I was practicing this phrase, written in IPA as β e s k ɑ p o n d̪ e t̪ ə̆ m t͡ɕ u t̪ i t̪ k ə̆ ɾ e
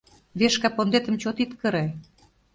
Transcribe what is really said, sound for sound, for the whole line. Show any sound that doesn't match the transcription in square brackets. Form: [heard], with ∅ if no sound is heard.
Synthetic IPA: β e [ʃ] k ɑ p o n d̪ e t̪ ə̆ m t͡ɕ [o] t̪ i t̪ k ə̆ ɾ e